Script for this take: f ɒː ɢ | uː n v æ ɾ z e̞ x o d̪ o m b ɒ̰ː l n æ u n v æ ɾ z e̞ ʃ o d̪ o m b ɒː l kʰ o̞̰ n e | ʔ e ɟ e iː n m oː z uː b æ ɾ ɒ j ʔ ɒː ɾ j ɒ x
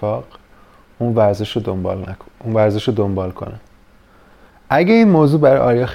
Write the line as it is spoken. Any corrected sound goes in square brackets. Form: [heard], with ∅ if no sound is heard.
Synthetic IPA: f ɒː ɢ | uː n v æ ɾ z e̞ [ʃ] o d̪ o m b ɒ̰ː l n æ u n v æ ɾ z e̞ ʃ o d̪ o m b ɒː l kʰ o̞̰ n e | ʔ [æ] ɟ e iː n m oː z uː b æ ɾ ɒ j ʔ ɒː ɾ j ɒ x